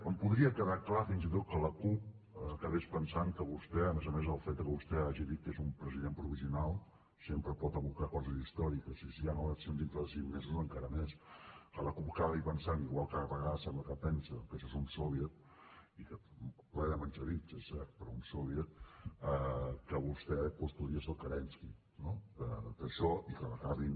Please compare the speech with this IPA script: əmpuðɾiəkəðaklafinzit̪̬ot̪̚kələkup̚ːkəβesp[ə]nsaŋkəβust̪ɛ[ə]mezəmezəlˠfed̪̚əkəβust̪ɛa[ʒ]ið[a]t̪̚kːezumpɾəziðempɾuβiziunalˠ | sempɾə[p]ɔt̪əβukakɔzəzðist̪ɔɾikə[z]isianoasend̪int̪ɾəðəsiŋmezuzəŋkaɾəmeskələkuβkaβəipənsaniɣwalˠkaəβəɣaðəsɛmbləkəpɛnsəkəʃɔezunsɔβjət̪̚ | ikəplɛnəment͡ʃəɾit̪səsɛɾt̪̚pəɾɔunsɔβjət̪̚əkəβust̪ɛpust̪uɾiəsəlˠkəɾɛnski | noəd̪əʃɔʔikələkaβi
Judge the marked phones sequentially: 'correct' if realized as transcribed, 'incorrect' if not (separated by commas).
correct, correct, correct, incorrect, correct, incorrect